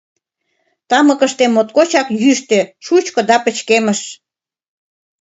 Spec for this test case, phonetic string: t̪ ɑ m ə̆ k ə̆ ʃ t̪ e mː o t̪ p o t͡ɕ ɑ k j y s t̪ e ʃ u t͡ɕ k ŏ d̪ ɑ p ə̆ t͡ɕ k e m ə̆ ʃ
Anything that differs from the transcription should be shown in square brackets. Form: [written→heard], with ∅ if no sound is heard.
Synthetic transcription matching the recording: t̪ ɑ m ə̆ k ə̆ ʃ t̪ e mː o t̪ [p→k] o t͡ɕ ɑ k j y [s→ʃ] t̪ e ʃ u t͡ɕ k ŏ d̪ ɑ p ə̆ t͡ɕ k e m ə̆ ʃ